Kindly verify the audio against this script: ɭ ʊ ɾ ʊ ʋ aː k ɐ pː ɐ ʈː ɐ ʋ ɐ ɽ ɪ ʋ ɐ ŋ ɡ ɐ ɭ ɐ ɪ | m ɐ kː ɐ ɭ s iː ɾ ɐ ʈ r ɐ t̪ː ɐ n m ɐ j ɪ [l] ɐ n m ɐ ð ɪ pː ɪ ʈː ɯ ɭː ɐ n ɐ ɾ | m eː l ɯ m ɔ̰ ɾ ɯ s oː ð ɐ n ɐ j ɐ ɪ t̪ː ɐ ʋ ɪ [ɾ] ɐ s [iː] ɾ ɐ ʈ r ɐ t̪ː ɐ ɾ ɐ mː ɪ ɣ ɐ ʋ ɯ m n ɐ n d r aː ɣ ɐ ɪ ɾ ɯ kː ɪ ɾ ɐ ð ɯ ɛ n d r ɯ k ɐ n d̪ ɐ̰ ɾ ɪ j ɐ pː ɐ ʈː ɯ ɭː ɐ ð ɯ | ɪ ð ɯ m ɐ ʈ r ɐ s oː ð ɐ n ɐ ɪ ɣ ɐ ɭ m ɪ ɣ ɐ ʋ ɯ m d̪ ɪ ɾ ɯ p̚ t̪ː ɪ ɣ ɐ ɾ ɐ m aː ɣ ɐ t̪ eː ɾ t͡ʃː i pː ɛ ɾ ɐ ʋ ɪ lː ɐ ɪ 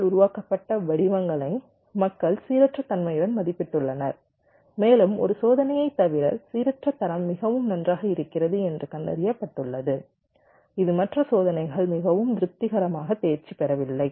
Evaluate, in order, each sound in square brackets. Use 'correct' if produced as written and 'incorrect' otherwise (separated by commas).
incorrect, correct, correct